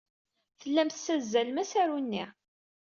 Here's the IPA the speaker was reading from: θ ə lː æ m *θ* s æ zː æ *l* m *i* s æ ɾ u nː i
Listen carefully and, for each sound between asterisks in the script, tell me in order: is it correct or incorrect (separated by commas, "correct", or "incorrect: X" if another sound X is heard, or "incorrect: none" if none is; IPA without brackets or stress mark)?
correct, correct, incorrect: æ